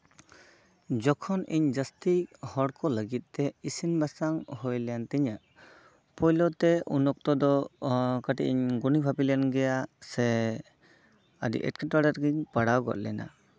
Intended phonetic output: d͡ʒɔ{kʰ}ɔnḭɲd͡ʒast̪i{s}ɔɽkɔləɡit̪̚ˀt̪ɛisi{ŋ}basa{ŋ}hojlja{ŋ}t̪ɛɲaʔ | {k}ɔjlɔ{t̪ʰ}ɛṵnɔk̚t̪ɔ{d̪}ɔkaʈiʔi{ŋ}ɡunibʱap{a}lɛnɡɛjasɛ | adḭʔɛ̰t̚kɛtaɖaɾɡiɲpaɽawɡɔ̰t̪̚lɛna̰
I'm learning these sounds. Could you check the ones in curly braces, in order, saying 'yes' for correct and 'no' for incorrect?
yes, no, no, yes, no, no, no, yes, no, no

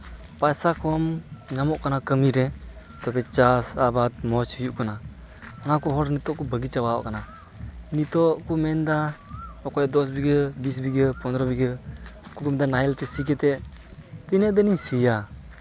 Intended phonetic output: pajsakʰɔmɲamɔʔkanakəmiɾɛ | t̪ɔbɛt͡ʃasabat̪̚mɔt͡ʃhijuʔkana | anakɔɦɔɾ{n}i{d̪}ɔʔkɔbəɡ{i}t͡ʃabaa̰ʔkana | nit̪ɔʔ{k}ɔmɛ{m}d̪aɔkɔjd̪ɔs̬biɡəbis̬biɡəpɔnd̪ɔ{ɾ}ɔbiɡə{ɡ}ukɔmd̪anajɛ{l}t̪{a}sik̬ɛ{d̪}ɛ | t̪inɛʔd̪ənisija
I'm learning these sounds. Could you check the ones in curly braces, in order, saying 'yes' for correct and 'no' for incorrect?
yes, no, yes, yes, no, yes, no, yes, no, no

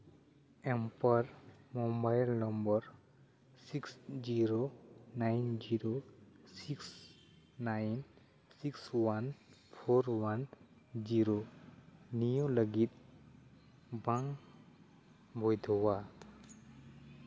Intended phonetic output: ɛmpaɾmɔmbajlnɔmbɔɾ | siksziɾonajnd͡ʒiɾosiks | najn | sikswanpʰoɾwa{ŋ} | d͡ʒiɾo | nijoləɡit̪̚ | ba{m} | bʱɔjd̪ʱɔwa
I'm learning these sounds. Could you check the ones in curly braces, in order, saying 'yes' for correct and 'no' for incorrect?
no, no

